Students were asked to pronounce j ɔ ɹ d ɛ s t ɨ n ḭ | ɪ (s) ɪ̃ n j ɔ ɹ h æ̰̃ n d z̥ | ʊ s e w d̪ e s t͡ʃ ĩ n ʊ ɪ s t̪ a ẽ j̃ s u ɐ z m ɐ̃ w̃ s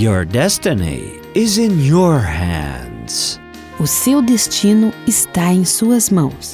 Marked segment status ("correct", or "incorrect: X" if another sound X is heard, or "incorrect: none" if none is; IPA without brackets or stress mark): incorrect: z